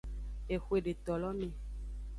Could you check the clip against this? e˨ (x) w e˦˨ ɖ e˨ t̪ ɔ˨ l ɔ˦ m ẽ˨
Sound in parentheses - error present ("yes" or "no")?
no